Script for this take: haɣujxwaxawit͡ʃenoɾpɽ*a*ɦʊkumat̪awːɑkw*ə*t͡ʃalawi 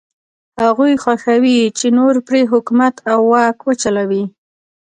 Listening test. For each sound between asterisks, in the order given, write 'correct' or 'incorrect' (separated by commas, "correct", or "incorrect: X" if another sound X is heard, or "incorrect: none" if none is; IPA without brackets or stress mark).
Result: incorrect: e, correct